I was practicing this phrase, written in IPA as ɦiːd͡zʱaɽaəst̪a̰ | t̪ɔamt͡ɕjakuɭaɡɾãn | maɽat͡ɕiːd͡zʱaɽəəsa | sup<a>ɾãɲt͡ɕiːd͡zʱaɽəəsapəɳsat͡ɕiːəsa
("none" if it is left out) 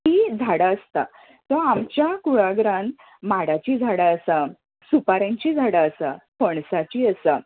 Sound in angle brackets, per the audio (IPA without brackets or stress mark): a